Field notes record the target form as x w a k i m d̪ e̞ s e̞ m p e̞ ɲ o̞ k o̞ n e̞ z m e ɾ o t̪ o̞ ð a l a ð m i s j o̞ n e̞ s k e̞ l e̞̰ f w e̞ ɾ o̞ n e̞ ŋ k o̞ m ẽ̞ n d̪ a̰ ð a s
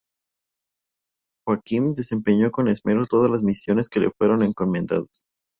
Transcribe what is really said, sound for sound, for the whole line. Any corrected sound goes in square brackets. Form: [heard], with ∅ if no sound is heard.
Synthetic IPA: x w a k i m d̪ e̞ s e̞ m p e̞ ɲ o̞ k o̞ n e̞ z m e ɾ o t̪ o̞ ð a l a [z] m i s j o̞ n e̞ s k e̞ l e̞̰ f w e̞ ɾ o̞ n e̞ ŋ k o̞ m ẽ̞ n d̪ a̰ ð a s